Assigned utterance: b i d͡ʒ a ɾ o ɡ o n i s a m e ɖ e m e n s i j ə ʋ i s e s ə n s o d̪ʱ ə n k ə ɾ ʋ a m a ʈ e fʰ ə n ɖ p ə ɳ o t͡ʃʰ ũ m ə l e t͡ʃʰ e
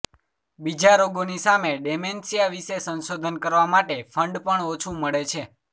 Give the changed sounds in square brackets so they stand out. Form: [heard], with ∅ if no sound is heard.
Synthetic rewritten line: b i d͡ʒ a ɾ o ɡ o n i s a m e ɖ e m e n s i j [a] ʋ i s e s ə n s o d̪ʱ ə n k ə ɾ ʋ a m a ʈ e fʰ ə [ɳ] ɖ p ə ɳ o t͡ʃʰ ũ m ə [ɭ] e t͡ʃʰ e